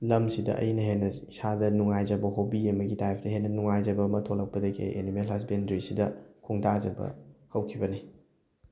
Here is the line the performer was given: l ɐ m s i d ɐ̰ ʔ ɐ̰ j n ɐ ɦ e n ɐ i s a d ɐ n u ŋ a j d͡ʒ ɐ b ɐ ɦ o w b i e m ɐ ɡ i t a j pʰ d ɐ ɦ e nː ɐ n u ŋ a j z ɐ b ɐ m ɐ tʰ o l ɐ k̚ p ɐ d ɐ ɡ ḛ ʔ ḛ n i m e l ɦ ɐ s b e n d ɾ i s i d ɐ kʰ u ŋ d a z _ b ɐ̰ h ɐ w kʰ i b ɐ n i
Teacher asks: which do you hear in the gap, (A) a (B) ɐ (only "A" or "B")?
B